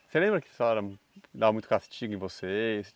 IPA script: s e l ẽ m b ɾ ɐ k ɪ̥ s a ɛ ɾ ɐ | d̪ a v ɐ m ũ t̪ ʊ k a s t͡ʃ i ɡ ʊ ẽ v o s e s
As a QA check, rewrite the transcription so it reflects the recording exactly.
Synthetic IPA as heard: s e l ẽ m b ɾ ɐ k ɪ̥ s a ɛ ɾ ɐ | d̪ a v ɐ m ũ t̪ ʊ k a s t͡ʃ i ɡ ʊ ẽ v o s e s